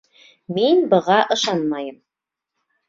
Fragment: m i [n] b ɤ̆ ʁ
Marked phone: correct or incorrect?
correct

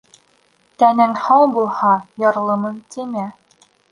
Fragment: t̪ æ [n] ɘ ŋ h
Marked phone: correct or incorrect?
correct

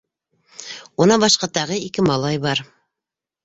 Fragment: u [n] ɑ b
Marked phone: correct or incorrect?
correct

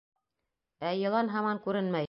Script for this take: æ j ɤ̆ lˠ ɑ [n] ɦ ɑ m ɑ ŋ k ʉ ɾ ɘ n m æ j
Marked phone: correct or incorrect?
correct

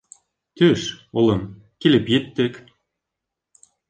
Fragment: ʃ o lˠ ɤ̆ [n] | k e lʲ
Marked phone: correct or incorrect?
incorrect: m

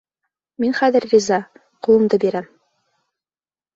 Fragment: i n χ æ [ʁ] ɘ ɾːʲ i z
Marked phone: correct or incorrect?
incorrect: ð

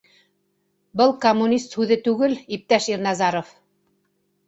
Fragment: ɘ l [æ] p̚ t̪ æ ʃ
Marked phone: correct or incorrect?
incorrect: i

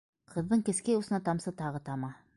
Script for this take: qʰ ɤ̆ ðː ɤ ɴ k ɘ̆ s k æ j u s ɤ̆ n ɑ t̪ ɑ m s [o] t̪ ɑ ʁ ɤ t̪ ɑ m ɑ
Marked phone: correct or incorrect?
incorrect: ɤ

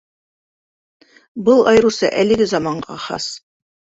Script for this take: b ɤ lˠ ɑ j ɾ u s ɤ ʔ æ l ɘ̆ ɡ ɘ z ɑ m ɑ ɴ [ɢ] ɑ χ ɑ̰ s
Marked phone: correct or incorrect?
correct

